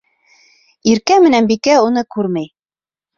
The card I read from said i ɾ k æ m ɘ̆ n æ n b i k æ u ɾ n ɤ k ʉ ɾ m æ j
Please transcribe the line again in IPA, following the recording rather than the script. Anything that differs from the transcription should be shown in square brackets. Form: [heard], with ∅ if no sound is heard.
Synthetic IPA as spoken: i ɾ k æ m ɘ̆ n æ n b i k æ u [∅] n ɤ k ʉ ɾ m æ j

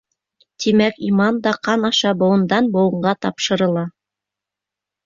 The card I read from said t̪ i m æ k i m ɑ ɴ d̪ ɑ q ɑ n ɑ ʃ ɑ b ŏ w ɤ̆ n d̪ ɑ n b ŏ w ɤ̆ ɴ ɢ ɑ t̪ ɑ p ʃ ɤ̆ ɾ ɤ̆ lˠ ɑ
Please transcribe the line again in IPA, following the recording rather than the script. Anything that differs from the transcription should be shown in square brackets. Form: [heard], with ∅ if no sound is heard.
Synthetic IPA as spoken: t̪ i m æ k i m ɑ [n] d̪ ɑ q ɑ n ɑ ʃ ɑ b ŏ w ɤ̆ n d̪ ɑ n b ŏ w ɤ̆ ɴ ɢ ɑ t̪ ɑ p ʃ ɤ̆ ɾ ɤ̆ lˠ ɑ

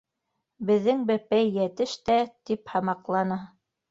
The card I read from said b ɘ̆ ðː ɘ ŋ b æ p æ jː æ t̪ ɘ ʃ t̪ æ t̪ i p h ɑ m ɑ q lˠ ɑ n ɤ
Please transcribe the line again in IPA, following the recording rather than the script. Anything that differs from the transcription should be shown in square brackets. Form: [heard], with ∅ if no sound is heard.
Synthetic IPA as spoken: b ɘ̆ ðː ɘ ŋ b æ p æ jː æ t̪ ɘ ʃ t̪ æ t̪ i p h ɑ m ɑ q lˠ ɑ n ɤ

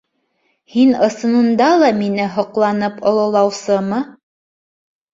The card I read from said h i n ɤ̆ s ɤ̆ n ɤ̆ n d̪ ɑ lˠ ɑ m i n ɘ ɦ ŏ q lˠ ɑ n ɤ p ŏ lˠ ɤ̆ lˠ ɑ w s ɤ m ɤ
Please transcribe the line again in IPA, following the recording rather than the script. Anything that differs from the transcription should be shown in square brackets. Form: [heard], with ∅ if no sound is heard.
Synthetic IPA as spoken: h i n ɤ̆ s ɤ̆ n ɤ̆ n d̪ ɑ lˠ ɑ m i n ɘ ɦ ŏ q lˠ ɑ n ɤ p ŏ lˠ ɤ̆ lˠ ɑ w s ɤ m ɤ

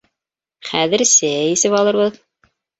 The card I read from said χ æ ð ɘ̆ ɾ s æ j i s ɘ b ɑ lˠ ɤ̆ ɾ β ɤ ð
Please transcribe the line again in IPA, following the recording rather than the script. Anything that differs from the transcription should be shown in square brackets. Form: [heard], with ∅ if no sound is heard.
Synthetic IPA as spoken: χ æ ð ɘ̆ ɾ s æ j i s ɘ [p] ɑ lˠ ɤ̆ ɾ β ɤ ð

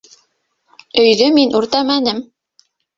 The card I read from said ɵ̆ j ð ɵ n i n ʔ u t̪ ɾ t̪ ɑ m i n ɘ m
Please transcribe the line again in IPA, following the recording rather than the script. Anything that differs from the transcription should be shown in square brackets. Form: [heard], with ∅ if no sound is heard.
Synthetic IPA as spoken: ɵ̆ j ð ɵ [m] i n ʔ u [∅] ɾ t̪ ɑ m [æ] n ɘ m

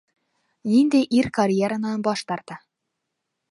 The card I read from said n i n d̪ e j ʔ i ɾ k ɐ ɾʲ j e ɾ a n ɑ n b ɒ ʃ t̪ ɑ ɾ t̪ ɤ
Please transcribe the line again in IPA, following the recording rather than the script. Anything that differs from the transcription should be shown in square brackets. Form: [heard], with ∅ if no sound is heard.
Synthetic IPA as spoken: n i n d̪ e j ʔ i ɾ k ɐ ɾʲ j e ɾ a n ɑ n b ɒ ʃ t̪ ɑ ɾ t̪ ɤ

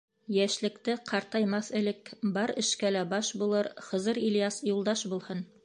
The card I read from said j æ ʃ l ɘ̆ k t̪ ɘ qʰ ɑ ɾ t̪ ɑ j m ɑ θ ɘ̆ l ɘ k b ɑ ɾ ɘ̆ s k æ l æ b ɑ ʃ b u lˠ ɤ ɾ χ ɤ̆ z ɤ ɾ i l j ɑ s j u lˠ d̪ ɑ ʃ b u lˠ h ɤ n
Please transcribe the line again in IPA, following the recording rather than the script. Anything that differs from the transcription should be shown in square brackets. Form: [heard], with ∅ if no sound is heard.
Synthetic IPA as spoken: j æ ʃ l ɘ̆ k t̪ ɘ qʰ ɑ ɾ t̪ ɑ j m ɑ θ ɘ̆ l ɘ k b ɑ ɾ ɘ̆ [ʃ] k æ l æ b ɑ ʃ b u lˠ ɤ ɾ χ ɤ̆ z ɤ ɾ i l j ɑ s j u lˠ d̪ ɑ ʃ b u lˠ h ɤ n

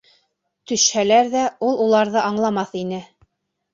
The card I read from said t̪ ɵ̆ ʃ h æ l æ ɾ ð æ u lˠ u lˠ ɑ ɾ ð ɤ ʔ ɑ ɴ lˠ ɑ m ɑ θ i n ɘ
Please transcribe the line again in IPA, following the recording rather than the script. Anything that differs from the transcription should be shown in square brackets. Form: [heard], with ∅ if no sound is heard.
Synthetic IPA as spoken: t̪ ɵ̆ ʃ h æ l æ ɾ ð æ u lˠ u lˠ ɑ ɾ ð ɤ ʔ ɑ ɴ lˠ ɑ m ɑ θ i n ɘ

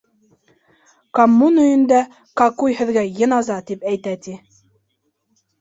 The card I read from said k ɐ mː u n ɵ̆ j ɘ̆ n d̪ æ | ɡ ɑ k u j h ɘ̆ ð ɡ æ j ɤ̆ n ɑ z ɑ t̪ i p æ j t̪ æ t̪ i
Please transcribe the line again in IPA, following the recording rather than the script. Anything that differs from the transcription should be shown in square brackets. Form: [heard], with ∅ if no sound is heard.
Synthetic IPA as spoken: k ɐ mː u n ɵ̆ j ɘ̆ n d̪ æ | [k] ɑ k u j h ɘ̆ ð ɡ æ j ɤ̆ n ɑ z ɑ t̪ i p æ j t̪ æ t̪ i

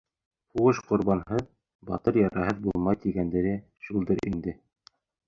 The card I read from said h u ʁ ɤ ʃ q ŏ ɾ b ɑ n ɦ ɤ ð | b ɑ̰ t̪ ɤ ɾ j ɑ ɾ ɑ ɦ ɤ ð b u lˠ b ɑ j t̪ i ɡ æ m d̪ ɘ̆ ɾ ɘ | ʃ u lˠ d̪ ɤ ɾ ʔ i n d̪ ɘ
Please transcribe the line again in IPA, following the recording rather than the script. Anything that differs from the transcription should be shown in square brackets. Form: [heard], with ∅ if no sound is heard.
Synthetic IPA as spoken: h u ʁ ɤ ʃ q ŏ ɾ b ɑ n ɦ ɤ ð | b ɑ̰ t̪ ɤ ɾ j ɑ ɾ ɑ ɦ ɤ ð b u lˠ [m] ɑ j t̪ i ɡ æ [n] d̪ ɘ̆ ɾ ɘ | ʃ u lˠ d̪ ɤ ɾ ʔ i n d̪ ɘ

